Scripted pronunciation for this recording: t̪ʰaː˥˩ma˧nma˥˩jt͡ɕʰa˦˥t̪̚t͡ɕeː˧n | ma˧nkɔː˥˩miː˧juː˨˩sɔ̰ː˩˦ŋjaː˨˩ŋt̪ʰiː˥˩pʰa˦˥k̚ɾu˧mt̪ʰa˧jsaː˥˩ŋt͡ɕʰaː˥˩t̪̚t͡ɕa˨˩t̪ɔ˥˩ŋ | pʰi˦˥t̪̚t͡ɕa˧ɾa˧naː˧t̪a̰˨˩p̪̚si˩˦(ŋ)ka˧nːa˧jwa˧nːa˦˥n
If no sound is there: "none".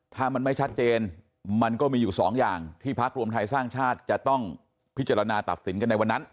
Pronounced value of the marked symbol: n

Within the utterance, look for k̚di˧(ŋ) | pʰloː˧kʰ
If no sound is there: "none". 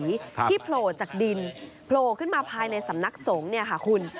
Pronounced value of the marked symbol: n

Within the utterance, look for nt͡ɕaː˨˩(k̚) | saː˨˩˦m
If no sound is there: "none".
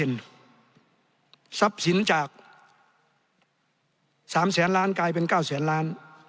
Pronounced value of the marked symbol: k̚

